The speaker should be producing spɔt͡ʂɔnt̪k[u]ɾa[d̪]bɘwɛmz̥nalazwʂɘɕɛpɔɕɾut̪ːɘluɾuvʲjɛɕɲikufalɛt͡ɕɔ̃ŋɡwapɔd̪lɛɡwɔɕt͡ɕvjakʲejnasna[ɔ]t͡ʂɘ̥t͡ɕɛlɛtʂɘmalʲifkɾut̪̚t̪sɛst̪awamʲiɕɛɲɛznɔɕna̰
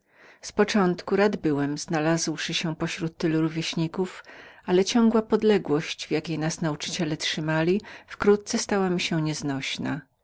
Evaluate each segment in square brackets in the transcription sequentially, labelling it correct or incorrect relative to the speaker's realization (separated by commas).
correct, correct, incorrect